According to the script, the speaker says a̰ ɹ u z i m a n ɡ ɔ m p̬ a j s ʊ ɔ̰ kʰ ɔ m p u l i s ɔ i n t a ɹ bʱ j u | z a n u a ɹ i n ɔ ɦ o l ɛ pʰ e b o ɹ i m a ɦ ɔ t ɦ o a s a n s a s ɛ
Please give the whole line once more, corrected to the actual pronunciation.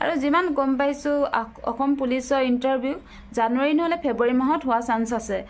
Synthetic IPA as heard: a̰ ɹ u z i m a n ɡ ɔ m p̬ a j s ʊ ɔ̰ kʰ ɔ m p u l i s ɔ i n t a ɹ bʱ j u | z a n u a ɹ i n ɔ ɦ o l ɛ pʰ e b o ɹ i m a ɦ ɔ t ɦ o a s a n s a s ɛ